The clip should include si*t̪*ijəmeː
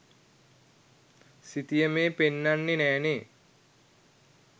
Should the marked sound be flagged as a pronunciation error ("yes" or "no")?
no